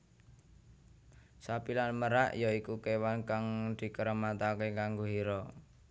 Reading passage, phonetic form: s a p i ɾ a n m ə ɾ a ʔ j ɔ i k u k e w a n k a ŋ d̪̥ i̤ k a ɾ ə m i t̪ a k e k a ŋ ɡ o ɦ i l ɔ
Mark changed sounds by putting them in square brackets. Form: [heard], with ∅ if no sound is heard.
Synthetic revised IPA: s a p i [l] a n m ə ɾ a ʔ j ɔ i k u k e w a n k a ŋ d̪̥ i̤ k [ə] ɾ ə m [a] t̪ a k e k a ŋ ɡ o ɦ i [ɾ] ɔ